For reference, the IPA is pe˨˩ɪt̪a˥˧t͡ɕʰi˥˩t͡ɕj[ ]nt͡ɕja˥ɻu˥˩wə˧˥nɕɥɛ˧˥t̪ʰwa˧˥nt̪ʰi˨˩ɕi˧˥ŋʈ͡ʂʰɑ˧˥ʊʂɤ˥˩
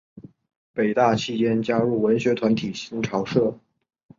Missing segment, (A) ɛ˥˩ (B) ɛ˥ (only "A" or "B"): B